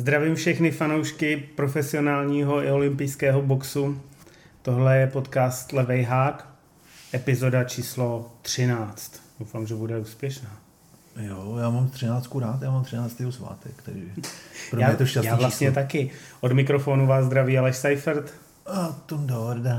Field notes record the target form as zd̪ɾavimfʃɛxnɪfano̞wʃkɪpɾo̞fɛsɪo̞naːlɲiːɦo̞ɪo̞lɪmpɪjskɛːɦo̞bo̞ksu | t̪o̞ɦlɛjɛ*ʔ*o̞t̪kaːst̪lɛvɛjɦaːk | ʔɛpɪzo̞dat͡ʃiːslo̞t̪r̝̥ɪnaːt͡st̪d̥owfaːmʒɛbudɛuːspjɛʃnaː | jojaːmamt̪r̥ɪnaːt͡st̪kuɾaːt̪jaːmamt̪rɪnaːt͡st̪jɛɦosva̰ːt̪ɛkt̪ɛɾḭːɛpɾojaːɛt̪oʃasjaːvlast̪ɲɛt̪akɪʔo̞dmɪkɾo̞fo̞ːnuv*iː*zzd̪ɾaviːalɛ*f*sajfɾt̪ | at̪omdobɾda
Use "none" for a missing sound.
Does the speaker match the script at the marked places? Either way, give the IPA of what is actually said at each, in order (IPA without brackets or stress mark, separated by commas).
p, aː, ʃ